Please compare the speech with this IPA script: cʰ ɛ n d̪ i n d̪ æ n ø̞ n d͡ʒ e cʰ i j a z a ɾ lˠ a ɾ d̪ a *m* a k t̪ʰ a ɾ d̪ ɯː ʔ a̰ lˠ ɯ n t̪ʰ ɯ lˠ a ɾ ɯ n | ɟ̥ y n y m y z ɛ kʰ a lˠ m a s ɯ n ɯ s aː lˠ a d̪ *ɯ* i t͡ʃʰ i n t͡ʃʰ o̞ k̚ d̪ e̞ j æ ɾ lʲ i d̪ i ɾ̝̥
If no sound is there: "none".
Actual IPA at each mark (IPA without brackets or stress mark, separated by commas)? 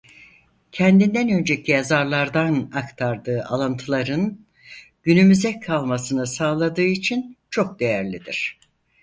n, ɯː